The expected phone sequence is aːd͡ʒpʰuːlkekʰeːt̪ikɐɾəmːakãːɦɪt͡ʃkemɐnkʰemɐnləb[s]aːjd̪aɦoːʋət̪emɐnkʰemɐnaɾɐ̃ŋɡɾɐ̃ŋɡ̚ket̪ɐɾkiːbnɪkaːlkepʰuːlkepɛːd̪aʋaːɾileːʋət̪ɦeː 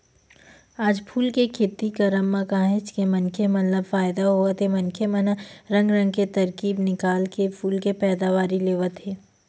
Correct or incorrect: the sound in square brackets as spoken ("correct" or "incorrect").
incorrect